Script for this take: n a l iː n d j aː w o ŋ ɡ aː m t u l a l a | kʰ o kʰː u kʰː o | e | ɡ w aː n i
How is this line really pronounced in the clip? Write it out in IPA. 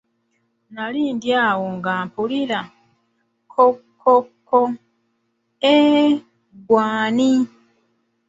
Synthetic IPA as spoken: n a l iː n d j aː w o ŋ ɡ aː m p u l i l a | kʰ o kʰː o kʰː o | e | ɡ w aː n i